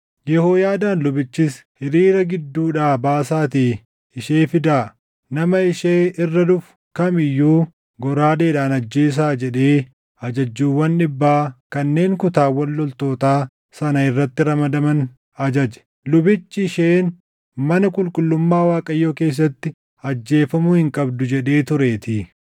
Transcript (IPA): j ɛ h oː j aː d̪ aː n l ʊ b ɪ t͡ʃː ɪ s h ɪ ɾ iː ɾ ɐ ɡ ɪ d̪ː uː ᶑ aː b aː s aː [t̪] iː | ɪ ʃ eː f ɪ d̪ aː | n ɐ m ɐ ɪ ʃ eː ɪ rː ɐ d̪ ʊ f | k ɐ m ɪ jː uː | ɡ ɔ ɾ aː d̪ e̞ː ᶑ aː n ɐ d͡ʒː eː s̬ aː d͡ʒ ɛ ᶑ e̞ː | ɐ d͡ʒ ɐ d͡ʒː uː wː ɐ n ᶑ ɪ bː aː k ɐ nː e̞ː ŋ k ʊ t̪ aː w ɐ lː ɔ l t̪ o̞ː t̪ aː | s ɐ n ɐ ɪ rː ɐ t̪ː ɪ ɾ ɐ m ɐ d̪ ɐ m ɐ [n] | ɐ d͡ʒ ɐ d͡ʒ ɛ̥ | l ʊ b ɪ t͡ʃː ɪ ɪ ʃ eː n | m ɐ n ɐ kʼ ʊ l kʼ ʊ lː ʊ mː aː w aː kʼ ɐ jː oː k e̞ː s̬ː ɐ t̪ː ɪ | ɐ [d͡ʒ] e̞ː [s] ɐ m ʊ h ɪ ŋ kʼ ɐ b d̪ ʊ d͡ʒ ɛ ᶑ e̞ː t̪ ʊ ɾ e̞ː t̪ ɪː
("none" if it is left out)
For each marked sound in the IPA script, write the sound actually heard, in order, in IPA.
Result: t̪, n, d͡ʒː, f

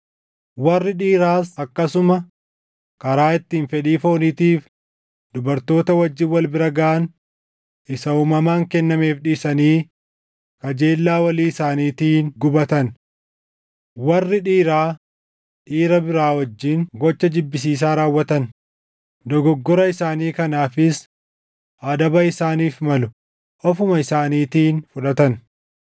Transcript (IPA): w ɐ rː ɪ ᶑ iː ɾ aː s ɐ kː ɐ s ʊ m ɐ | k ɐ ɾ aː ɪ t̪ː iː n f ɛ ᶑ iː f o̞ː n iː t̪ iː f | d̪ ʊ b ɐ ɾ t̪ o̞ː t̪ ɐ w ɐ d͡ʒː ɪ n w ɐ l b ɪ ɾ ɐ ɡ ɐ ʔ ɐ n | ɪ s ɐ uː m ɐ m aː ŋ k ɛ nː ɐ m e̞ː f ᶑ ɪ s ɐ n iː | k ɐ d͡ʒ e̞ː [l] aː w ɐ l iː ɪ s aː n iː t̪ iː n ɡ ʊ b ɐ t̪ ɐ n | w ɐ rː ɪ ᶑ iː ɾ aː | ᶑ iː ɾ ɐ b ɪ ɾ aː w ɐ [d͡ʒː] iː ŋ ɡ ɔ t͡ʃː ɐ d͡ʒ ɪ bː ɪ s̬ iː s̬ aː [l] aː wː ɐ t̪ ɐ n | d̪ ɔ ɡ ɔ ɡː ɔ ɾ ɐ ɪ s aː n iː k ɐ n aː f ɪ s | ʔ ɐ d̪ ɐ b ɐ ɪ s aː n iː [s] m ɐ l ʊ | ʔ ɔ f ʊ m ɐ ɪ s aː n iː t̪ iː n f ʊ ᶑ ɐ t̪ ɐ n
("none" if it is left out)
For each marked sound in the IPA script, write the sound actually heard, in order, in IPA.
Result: lː, d͡ʒː, ɾ, f

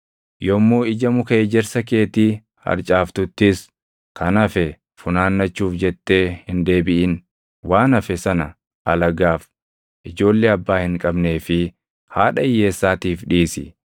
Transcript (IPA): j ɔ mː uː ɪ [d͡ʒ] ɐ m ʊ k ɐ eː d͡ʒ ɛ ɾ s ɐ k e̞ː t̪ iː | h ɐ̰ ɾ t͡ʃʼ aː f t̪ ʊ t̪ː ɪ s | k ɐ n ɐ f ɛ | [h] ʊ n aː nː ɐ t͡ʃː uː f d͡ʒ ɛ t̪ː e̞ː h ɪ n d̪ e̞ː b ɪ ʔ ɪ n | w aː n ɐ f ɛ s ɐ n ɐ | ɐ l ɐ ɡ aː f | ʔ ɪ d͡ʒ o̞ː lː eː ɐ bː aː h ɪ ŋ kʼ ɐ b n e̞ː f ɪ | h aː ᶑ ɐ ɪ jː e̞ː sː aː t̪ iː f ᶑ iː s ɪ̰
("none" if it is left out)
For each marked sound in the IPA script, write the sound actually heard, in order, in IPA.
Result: d͡ʒ, f

